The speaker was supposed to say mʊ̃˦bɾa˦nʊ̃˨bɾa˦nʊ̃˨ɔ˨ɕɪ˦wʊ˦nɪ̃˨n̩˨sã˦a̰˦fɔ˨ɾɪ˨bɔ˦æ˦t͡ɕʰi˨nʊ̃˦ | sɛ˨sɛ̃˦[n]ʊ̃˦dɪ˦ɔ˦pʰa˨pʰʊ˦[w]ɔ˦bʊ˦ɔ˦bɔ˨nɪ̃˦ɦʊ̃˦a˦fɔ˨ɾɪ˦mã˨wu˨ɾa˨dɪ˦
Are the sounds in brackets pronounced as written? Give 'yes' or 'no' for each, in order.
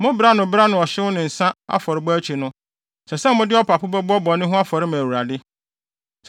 no, no

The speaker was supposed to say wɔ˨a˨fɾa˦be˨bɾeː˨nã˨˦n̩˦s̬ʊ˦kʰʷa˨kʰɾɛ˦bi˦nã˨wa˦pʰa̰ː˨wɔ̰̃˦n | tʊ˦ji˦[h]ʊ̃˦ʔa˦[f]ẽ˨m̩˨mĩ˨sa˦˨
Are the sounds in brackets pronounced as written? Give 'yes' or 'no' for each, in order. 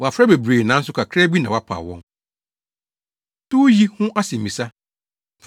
yes, no

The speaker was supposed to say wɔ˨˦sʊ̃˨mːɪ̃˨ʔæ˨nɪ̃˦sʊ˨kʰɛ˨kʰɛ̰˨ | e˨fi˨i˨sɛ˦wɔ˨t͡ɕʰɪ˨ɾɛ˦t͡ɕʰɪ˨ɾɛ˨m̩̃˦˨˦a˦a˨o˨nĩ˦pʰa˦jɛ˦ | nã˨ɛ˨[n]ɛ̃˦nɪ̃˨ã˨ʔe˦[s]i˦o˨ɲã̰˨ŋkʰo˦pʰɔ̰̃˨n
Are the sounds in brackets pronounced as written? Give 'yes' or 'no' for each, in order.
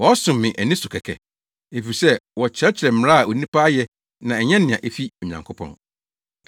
no, no

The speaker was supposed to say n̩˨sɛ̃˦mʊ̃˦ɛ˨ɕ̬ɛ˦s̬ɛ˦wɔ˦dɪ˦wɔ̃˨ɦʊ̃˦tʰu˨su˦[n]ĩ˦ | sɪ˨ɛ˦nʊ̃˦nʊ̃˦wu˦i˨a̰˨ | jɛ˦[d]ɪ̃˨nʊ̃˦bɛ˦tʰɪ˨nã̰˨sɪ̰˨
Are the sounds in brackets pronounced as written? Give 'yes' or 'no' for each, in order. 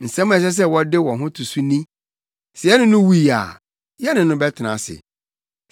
yes, no

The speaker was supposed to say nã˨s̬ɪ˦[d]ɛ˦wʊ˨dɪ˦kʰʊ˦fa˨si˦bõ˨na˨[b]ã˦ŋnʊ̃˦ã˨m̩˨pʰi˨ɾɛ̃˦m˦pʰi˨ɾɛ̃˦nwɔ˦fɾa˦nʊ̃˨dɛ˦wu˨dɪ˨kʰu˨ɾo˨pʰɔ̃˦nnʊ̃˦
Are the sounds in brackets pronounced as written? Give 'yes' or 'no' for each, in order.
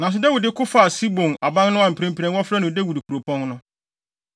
yes, yes

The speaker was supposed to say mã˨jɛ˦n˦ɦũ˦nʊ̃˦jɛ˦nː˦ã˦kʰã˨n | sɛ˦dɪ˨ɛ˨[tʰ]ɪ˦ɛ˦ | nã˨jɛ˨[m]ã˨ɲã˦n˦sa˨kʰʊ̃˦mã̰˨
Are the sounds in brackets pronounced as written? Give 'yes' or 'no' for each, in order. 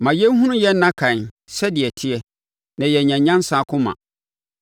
yes, no

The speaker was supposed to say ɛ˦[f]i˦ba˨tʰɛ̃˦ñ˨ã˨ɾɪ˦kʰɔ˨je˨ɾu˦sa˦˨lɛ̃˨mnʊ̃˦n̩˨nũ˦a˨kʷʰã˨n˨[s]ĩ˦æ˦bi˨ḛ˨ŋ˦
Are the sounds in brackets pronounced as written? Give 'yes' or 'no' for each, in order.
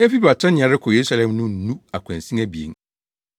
yes, yes

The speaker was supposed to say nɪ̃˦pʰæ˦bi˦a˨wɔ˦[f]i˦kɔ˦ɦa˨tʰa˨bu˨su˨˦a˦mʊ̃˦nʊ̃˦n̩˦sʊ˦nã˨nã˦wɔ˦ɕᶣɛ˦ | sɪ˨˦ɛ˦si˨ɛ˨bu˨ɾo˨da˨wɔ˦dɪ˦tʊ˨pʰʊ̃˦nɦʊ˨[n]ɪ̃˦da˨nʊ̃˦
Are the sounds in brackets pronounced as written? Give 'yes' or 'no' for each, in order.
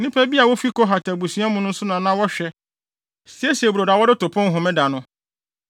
yes, no

